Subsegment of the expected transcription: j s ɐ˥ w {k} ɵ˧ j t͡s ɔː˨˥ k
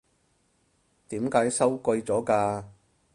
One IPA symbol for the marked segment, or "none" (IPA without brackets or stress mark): k